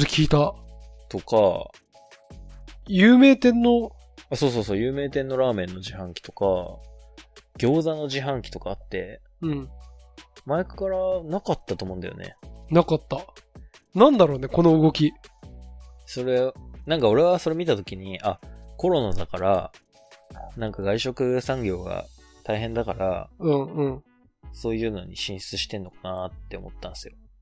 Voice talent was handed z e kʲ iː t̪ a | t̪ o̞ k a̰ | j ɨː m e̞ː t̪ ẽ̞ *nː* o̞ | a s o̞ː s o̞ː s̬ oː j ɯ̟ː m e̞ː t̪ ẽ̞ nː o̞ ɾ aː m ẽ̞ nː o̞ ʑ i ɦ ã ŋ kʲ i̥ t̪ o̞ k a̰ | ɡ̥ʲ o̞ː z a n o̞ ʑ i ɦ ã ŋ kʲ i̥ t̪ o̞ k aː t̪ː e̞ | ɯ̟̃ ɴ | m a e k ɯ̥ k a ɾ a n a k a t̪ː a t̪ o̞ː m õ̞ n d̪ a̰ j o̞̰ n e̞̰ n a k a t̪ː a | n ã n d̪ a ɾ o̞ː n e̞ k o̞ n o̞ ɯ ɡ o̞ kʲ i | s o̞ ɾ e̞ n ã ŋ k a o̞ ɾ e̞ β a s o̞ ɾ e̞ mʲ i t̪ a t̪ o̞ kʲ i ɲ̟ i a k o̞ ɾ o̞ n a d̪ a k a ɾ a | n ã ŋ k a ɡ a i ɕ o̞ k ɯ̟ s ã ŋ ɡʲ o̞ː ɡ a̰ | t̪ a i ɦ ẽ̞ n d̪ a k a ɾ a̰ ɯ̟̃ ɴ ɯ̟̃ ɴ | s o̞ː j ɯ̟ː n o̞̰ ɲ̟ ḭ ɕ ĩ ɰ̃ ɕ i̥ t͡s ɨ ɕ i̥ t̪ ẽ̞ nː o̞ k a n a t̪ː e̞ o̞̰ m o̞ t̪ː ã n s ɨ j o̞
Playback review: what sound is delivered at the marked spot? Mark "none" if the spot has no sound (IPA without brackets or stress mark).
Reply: nː